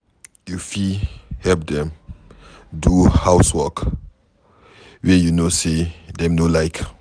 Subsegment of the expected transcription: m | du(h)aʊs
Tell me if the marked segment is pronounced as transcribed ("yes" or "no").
yes